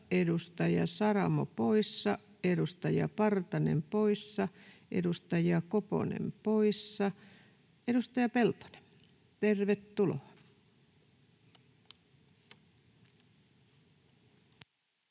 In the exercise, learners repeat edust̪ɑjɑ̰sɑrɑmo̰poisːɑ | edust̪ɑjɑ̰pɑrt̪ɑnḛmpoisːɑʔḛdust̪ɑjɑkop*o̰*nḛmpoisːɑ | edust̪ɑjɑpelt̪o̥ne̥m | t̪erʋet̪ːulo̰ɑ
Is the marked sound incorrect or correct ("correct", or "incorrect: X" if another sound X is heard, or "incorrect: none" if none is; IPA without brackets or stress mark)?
correct